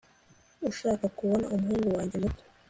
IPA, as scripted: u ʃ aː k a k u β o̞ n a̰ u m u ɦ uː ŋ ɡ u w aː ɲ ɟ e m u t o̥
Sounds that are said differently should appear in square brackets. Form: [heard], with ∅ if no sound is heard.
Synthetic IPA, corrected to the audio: u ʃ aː k a k u β o̞ n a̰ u m u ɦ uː ŋ ɡ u w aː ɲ ɟ e m u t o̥